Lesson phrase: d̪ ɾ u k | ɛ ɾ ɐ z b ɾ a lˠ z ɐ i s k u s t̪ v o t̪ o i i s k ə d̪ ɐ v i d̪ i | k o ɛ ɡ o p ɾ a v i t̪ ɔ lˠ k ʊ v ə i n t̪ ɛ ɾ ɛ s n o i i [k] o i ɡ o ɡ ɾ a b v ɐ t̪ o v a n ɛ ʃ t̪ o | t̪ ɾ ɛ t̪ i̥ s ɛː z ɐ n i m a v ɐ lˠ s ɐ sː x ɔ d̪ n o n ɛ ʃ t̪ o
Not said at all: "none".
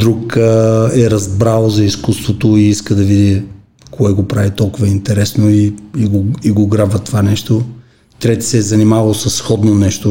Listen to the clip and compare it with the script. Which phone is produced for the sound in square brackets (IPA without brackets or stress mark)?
ɡ